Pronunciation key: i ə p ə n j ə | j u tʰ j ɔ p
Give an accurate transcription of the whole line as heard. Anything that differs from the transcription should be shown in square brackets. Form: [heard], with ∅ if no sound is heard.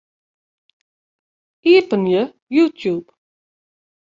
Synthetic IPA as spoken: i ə p ə n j ə | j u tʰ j [u] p